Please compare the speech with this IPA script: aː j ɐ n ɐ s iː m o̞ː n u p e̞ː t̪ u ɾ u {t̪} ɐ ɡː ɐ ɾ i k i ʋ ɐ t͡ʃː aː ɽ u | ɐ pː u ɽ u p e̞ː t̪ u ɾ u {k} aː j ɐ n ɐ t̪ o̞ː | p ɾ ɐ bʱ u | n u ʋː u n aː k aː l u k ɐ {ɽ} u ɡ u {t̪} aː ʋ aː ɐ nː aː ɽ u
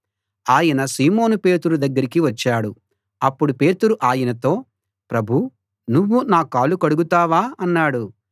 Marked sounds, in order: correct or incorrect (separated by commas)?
incorrect, incorrect, correct, correct